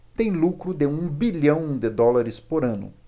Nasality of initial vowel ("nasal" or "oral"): nasal